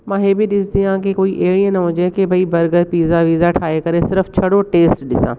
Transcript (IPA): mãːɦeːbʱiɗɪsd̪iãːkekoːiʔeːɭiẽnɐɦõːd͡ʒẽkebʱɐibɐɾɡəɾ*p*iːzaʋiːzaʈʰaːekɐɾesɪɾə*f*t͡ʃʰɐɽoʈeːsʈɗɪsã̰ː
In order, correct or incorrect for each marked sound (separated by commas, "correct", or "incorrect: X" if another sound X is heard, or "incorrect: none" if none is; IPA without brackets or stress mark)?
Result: correct, correct